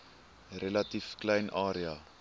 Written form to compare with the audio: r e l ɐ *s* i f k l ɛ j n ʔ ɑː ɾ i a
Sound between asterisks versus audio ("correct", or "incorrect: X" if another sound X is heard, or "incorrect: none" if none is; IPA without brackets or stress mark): incorrect: t